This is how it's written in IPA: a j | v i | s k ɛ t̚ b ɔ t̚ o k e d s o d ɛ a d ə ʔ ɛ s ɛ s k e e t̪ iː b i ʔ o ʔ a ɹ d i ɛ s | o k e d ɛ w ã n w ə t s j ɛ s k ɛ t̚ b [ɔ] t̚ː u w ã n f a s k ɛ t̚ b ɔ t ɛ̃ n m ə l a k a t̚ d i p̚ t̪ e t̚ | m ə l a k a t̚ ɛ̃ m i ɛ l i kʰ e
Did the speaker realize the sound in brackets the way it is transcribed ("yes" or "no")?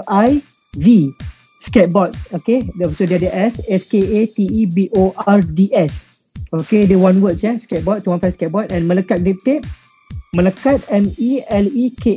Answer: yes